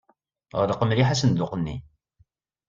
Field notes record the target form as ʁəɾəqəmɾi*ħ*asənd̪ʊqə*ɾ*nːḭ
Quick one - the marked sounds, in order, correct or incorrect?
correct, incorrect

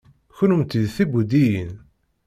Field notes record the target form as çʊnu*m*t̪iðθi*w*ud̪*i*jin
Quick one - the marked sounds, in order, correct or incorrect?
correct, incorrect, correct

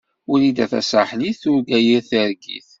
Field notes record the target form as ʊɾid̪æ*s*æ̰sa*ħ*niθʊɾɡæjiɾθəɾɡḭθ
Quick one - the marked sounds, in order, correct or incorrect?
incorrect, correct

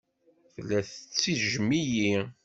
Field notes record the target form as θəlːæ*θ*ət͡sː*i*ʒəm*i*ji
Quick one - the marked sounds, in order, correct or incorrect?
correct, correct, correct

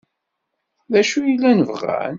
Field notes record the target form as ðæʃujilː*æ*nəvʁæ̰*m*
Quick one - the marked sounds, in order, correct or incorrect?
correct, incorrect

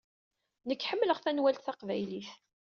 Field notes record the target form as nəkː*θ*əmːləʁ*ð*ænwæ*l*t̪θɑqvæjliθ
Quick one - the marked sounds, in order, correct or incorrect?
incorrect, incorrect, correct

